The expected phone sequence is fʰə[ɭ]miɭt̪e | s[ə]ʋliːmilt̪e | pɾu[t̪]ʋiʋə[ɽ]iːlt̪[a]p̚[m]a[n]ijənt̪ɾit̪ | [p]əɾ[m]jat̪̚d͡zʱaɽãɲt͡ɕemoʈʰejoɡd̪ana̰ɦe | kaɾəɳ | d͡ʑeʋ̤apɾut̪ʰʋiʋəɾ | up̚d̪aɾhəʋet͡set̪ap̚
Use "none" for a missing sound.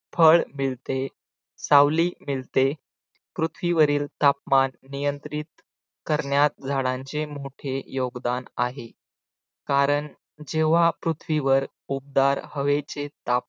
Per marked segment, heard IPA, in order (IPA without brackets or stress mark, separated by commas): ɭ, a, t̪ʰ, ɾ, a, m, nː, k, ɳ